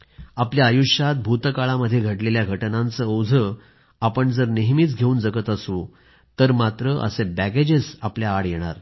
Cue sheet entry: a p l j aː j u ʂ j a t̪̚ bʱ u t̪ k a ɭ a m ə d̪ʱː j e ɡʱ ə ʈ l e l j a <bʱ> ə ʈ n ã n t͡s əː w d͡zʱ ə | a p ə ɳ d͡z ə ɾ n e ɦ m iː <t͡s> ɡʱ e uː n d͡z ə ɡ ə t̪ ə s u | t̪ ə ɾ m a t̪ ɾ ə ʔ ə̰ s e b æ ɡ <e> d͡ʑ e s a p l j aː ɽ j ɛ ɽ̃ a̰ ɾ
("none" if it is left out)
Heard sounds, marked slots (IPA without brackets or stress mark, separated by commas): ɡʱ, t͡s, e